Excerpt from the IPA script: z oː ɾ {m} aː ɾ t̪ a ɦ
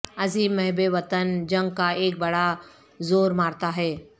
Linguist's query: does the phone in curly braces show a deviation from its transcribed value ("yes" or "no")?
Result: no